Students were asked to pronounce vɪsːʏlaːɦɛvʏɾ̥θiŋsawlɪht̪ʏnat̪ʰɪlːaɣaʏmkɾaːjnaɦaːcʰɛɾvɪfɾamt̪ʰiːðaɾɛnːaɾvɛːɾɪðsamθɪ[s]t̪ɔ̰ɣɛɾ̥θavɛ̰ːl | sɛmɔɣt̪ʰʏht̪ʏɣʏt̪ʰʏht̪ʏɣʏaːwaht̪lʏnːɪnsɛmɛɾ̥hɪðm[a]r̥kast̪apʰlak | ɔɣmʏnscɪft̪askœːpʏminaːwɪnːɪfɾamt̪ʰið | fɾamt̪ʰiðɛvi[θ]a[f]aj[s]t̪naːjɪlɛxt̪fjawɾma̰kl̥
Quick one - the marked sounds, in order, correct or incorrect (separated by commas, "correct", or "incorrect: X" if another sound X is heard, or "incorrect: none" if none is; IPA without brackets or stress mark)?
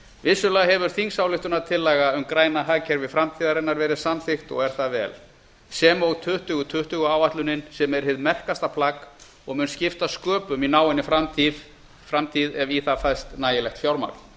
incorrect: x, incorrect: ɛ, correct, correct, correct